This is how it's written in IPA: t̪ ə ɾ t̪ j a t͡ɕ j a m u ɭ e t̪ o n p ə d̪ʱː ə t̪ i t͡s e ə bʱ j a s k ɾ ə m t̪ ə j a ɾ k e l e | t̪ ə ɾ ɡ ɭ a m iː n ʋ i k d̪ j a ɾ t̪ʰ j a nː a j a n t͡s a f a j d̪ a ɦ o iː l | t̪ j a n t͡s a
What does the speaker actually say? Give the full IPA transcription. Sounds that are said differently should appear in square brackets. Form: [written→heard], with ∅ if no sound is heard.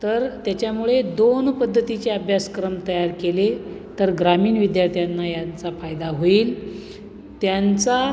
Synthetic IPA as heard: t̪ ə ɾ t̪ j a t͡ɕ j a m u ɭ e [t̪→d̪] o n p ə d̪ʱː ə t̪ i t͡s e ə bʱ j a s k ɾ ə m t̪ ə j a ɾ k e l e | t̪ ə ɾ ɡ [ɭ→ɾ] a m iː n ʋ i [k→∅] d̪ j a ɾ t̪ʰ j a nː a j a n t͡s a f a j d̪ a ɦ o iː l | t̪ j a n t͡s a

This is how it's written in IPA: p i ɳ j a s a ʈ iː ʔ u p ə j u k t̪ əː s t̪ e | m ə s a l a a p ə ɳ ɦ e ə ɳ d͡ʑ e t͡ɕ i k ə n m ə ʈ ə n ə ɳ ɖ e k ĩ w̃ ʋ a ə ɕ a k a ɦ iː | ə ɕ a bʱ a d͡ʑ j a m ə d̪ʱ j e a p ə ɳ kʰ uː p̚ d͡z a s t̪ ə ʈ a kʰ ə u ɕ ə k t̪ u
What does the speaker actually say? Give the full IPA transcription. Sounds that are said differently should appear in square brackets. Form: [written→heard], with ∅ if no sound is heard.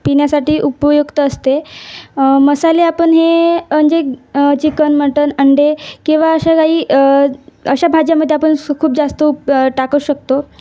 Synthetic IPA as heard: p i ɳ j a s a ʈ iː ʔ u p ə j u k t̪ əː s t̪ e | m ə s a l [a→e] a p ə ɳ ɦ e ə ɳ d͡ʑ e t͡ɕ i k ə n m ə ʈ ə n ə ɳ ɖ e k ĩ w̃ ʋ a ə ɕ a k a ɦ iː | ə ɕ a bʱ a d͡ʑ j a m ə d̪ʱ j e a p ə ɳ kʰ uː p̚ d͡z a s t̪ ə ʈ a [kʰ→k] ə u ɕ ə k t̪ [u→o]

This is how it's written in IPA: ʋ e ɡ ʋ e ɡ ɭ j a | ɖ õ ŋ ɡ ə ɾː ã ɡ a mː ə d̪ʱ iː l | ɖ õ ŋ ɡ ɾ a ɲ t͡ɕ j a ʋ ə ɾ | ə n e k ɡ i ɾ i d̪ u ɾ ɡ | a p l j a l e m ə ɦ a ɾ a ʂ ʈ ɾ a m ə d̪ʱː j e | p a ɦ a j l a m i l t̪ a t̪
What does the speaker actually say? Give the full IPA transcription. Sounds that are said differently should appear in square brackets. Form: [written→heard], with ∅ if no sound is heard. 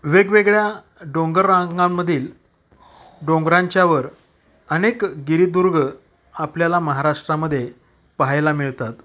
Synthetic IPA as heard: ʋ e ɡ ʋ e ɡ ɭ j a | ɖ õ ŋ ɡ ə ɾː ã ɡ a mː ə d̪ʱ iː l | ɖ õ ŋ ɡ ɾ a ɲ t͡ɕ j a ʋ ə ɾ | ə n e k ɡ i ɾ i d̪ u ɾ ɡ | a p l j a l [e→a] m ə ɦ a ɾ a ʂ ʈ ɾ a m ə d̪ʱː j e | p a ɦ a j l a m i [l→ɭ] t̪ a t̪

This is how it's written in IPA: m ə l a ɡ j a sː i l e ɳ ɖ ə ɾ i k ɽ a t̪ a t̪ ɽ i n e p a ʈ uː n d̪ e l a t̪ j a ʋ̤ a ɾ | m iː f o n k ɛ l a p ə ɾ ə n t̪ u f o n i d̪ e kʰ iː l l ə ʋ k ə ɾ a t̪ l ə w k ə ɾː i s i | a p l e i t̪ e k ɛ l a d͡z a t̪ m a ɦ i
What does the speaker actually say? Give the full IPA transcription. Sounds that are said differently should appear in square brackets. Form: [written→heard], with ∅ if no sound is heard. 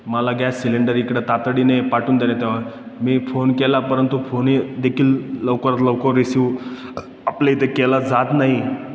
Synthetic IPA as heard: m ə l a ɡ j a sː i l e ɳ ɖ ə ɾ i k ɽ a t̪ a t̪ ɽ i n e p a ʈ uː n d̪ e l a t̪ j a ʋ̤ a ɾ | m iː f o n k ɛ l a p ə ɾ ə n t̪ u f o n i d̪ e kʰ iː l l ə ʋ k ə ɾ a t̪ l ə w k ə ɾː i s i | a p l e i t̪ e k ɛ l a d͡z a t̪ [m→n] a ɦ i

